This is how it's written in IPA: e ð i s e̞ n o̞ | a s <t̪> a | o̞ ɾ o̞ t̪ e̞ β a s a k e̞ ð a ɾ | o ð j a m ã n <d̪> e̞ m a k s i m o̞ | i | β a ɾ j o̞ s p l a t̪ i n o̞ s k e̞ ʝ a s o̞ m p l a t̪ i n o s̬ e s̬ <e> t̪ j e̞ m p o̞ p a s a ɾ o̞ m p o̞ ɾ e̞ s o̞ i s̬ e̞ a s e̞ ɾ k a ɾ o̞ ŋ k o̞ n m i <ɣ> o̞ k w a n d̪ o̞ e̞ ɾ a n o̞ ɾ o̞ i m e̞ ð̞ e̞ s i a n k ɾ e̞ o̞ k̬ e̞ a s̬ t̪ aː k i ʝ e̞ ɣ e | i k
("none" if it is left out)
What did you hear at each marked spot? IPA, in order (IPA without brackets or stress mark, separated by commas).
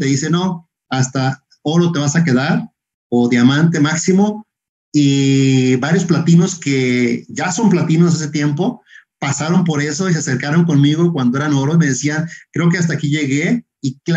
t̪, t̪, e, ɣ